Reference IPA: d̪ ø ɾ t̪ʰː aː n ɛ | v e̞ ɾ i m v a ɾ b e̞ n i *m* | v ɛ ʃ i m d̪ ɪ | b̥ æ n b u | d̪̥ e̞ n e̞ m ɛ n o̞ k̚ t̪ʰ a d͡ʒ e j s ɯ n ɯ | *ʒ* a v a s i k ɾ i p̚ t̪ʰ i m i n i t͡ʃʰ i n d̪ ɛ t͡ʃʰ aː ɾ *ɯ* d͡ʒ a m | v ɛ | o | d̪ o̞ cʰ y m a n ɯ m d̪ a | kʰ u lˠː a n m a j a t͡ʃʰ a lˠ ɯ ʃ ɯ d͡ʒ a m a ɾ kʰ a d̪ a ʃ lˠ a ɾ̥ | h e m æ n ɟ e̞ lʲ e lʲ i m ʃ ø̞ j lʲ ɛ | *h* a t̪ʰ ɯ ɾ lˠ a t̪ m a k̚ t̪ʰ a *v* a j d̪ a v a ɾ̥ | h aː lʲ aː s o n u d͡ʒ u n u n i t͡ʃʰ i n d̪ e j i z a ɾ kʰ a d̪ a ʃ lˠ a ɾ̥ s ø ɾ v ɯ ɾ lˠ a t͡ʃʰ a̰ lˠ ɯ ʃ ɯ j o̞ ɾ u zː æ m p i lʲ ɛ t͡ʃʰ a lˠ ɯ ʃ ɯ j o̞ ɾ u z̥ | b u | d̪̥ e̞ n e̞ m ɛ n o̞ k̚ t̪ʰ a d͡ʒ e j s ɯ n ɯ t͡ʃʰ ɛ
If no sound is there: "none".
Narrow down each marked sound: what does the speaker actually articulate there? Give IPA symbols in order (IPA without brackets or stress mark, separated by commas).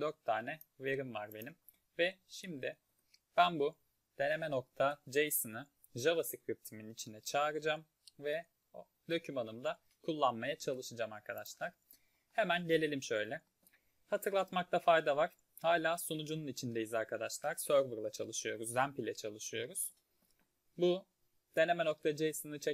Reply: m, ʒ, ɯ, h, f